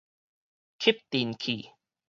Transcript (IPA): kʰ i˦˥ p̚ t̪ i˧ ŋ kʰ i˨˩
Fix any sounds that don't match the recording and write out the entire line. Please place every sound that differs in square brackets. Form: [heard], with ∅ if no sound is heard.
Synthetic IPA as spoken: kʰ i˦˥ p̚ t̪ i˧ [n] kʰ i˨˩